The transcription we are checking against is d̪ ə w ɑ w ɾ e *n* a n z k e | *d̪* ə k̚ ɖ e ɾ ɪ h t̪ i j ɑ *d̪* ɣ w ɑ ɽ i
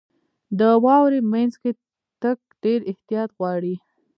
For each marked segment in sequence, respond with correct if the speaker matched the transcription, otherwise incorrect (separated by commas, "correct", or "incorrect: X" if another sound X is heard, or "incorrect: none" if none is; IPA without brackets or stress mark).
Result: incorrect: m, incorrect: t̪, incorrect: t̪